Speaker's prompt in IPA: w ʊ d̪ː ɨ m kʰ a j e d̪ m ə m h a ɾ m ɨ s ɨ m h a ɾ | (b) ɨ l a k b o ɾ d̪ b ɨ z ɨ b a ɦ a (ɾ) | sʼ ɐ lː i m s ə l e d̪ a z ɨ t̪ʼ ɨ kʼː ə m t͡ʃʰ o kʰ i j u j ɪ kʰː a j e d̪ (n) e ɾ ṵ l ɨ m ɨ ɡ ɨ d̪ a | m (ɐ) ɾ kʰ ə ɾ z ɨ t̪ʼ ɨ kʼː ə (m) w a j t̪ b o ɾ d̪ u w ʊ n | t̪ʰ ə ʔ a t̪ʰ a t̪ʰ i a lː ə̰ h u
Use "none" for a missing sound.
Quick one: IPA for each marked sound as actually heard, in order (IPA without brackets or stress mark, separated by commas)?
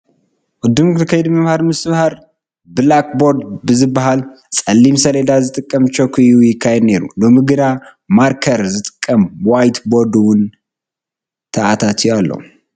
b, l, n, a, m